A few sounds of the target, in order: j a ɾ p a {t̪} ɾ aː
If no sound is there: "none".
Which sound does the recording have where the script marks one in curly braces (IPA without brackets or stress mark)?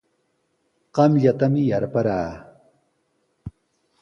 none